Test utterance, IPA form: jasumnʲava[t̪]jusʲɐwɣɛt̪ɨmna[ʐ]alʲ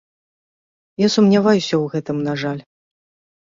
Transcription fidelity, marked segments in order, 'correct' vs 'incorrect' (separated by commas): incorrect, correct